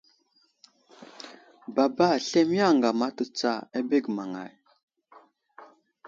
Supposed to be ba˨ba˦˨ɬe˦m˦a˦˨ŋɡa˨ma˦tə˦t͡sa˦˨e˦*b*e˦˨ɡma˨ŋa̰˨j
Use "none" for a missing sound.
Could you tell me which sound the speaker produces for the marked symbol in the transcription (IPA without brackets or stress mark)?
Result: b